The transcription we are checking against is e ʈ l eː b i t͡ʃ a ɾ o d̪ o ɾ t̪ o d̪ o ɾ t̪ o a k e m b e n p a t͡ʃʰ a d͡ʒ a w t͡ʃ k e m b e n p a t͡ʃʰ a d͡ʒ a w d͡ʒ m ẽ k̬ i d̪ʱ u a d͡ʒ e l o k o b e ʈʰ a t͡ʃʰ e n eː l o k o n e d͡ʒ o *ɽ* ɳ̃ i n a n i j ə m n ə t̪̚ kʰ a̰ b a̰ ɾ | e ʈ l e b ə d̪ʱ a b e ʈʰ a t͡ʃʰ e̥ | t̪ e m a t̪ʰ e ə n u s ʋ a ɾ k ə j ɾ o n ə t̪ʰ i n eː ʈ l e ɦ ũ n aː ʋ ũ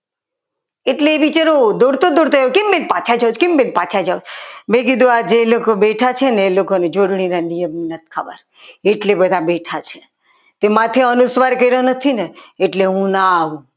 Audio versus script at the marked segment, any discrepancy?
no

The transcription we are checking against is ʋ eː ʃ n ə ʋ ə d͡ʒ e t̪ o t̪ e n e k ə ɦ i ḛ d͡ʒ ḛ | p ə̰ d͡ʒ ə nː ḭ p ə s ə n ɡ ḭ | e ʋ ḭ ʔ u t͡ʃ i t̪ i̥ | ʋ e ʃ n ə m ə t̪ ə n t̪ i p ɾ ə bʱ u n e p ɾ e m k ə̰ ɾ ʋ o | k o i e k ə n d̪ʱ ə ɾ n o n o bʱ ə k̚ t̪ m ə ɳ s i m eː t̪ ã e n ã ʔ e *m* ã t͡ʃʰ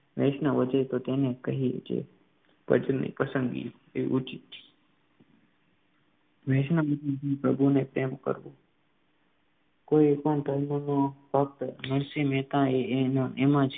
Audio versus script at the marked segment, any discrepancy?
no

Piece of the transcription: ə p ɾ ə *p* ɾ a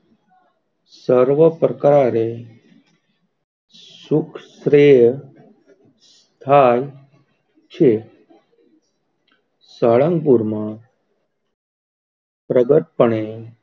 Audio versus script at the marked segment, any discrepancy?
yes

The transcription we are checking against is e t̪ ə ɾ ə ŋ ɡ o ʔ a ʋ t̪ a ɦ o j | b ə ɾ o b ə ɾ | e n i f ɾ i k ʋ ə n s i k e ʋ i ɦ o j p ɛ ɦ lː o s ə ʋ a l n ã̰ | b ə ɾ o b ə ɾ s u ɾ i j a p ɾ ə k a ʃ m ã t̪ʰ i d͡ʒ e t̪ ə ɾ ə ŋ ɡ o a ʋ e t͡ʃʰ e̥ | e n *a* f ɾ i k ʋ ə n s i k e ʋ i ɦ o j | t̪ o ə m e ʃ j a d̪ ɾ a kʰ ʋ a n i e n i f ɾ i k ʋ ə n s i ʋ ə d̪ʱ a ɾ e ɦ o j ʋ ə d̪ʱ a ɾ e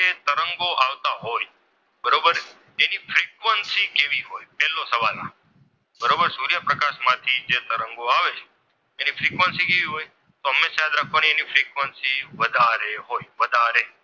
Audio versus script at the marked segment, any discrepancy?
yes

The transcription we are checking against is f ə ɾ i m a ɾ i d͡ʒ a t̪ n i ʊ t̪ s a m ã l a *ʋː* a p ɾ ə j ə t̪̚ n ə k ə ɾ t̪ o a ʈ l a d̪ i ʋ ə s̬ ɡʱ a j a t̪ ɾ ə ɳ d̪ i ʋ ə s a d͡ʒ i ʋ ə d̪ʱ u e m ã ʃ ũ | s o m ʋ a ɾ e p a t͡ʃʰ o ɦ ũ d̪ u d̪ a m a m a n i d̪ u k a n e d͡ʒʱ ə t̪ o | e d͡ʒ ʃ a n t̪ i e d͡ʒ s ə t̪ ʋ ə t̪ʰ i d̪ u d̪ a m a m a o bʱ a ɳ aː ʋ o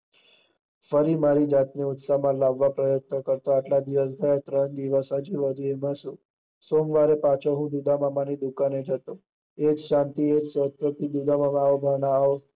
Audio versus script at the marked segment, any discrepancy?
no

